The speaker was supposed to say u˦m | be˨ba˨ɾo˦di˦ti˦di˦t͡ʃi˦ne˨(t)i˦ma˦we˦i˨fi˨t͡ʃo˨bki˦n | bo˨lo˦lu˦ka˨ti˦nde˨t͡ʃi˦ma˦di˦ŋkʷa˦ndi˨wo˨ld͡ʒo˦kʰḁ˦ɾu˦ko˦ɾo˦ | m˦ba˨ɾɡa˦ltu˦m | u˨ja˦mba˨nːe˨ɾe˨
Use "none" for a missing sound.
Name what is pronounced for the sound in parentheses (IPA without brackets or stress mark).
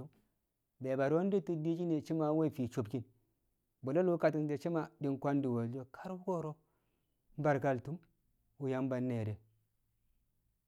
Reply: t͡ʃ